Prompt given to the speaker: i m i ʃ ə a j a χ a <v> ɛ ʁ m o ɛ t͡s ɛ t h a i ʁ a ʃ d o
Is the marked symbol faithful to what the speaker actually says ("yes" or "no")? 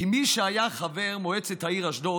yes